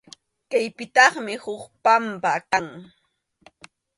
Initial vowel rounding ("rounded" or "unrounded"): unrounded